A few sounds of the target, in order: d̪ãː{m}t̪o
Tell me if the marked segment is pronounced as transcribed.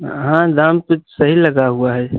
yes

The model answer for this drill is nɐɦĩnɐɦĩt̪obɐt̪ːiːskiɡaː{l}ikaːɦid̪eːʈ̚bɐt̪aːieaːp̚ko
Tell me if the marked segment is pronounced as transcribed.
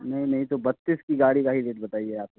no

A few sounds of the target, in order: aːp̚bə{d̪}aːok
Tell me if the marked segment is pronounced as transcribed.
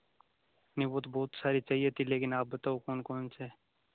no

